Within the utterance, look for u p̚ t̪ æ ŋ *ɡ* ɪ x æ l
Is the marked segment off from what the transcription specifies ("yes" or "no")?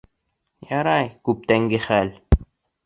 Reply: no